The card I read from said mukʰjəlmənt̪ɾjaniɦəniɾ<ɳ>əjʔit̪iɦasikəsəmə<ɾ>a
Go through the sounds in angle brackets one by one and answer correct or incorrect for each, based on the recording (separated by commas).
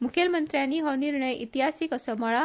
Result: correct, incorrect